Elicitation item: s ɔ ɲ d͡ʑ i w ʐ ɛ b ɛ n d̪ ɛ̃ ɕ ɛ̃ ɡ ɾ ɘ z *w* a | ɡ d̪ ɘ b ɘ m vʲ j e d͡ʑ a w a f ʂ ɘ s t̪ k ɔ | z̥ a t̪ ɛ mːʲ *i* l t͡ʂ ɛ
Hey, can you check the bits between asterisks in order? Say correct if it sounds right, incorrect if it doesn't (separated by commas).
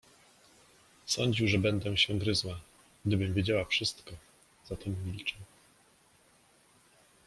correct, correct